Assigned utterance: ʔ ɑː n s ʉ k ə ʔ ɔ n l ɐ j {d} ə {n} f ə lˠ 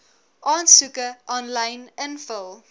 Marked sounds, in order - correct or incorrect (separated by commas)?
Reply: incorrect, correct